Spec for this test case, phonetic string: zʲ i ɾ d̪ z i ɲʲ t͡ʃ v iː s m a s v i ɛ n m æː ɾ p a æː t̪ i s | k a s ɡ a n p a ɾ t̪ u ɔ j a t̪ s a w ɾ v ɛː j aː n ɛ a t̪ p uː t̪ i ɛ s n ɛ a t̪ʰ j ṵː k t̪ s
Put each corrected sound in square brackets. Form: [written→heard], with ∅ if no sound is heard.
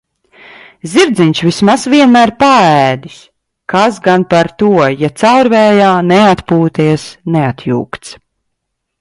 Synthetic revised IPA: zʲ i ɾ d̪ z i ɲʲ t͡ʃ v [iː→i] s m a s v i ɛ n m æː ɾ p a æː [t̪→d̪] i s | k a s ɡ a n p a ɾ t̪ u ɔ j a t̪ s a w ɾ v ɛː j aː n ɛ a t̪ p uː t̪ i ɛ s n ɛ a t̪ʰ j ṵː k t̪ s